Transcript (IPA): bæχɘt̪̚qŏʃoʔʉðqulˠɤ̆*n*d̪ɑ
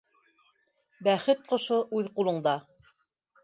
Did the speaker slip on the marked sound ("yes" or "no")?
yes